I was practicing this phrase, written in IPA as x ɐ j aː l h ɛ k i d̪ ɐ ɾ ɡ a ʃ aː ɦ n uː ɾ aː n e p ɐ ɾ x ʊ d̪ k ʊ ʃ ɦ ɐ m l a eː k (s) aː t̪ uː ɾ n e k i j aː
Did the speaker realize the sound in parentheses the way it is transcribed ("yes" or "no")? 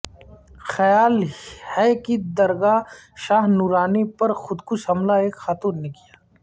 no